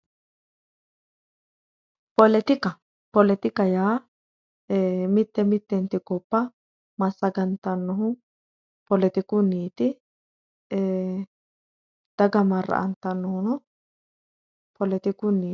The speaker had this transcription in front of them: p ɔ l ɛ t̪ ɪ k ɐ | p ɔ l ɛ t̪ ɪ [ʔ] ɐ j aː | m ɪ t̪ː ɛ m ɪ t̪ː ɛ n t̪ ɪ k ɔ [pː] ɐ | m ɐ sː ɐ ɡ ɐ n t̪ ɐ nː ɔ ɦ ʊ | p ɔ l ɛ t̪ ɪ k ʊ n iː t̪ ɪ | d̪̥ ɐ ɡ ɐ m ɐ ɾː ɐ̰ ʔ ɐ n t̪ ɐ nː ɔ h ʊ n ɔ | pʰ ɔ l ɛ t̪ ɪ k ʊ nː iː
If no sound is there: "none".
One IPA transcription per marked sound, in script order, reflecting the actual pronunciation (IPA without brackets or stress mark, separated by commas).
k, pː